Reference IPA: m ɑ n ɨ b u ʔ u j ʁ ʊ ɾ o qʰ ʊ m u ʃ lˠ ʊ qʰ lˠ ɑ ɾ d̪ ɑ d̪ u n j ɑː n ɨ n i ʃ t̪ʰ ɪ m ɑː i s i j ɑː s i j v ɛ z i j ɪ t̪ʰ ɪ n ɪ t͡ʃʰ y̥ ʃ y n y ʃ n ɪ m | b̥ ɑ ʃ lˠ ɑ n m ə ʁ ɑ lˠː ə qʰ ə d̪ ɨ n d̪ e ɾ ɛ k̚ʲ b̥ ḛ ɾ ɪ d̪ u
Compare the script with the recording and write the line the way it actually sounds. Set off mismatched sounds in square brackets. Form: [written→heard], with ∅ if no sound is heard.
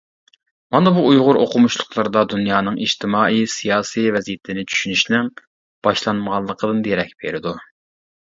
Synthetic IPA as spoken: m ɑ n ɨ b u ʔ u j ʁ ʊ ɾ o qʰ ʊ m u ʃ lˠ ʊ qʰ lˠ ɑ ɾ d̪ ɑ d̪ u n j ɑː n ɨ [n→ŋ] i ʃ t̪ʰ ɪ m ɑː i s i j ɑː s i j v ɛ z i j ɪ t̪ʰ ɪ n ɪ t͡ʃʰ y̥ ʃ y n y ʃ n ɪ [m→ŋ] | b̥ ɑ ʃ lˠ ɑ n m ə ʁ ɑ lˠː ə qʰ ə d̪ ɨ n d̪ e ɾ ɛ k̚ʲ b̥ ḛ ɾ ɪ d̪ u